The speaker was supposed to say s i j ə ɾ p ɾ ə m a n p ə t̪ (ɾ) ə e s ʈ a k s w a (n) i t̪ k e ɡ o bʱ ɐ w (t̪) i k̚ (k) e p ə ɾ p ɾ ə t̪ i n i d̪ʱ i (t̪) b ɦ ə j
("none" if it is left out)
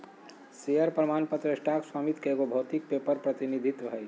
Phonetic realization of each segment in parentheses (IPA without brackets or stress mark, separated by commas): ɾ, m, t̪, p, t̪